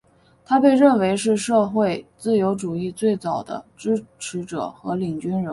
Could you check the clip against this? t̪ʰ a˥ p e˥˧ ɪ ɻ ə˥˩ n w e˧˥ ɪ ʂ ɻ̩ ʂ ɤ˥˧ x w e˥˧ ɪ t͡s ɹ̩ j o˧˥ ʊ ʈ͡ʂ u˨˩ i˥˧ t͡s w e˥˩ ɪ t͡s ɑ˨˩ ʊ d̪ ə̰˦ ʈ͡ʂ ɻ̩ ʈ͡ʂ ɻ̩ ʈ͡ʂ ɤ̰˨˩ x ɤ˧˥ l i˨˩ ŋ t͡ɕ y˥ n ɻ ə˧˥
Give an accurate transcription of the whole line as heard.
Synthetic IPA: t̪ʰ a˥ p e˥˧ ɪ ɻ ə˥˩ n w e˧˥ ɪ ʂ ɻ̩ ʂ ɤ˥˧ x w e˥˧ ɪ t͡s ɹ̩ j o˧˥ ʊ ʈ͡ʂ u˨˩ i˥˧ t͡s w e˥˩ ɪ t͡s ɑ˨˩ ʊ d̪ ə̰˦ ʈ͡ʂ ɻ̩ ʈ͡ʂʰ ɻ̩ ʈ͡ʂ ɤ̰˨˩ x ɤ˧˥ l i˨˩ ŋ t͡ɕ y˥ n ɻ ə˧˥

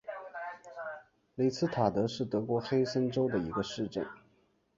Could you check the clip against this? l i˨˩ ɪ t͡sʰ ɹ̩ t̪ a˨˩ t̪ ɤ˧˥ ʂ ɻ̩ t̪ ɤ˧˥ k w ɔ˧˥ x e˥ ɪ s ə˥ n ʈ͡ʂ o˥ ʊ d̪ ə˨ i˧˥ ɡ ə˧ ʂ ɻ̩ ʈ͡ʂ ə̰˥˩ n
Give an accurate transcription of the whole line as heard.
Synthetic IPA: l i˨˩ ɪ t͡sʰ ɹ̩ t̪ʰ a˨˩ t̪ ɤ˧˥ ʂ ɻ̩ t̪ ɤ˧˥ k w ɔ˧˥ x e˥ ɪ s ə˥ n ʈ͡ʂ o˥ ʊ d̪ ə˨ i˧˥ ɡ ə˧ ʂ ɻ̩ ʈ͡ʂ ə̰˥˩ n

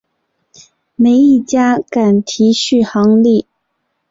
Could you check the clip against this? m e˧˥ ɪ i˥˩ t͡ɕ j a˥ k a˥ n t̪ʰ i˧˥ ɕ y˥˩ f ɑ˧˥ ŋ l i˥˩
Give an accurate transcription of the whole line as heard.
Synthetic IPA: m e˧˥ ɪ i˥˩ t͡ɕ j a˥ k a˨˩ n t̪ʰ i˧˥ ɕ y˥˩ x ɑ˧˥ ŋ l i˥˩

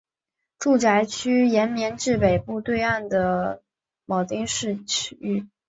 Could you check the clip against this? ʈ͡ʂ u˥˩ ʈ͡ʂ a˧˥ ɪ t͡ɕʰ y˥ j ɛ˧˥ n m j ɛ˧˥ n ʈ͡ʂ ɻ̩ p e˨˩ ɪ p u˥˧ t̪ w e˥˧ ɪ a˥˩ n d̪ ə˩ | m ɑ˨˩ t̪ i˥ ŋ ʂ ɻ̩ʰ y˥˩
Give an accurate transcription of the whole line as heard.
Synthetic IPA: ʈ͡ʂ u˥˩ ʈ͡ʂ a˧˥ ɪ t͡ɕʰ y˥ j ɛ˧˥ n m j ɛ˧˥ n ʈ͡ʂ ɻ̩ p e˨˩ ɪ p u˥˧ t̪ w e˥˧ ɪ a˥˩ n d̪ ə˩ | m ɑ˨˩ t̪ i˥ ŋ ʂ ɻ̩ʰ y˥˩

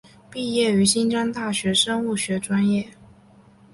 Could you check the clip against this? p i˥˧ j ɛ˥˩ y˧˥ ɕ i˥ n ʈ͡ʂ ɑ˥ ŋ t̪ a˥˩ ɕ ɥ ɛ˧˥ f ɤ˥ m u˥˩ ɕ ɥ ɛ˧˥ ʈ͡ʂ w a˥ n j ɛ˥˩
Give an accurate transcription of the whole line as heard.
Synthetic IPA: p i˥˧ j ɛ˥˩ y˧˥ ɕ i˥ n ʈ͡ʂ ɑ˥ ŋ t̪ a˥˩ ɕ ɥ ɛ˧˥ ʂ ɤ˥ ŋ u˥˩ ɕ ɥ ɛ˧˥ ʈ͡ʂ w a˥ n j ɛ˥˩

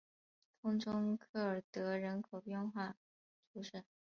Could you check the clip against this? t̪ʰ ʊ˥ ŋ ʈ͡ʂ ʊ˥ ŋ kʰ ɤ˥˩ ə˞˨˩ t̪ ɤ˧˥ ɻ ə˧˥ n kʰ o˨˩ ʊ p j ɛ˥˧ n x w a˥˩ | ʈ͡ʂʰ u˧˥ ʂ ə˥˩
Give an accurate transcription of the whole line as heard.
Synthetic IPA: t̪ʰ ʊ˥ ŋ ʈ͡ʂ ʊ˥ ŋ kʰ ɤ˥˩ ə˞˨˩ t̪ ɤ˧˥ ɻ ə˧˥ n kʰ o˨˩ ʊ p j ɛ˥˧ n x w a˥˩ | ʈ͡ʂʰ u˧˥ ʂ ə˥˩

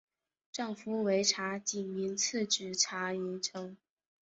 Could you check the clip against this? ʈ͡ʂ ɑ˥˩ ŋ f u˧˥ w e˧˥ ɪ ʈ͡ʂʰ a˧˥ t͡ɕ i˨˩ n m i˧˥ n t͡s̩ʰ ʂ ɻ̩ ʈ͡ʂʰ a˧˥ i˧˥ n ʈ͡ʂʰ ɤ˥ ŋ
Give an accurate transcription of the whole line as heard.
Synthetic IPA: ʈ͡ʂ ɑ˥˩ ŋ f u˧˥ w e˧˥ ɪ ʈ͡ʂʰ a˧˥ t͡ɕ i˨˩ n m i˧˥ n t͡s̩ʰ ʈ͡ʂ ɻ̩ ʈ͡ʂʰ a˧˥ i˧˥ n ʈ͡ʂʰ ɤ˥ ŋ

